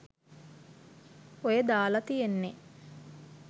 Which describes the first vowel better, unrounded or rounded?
rounded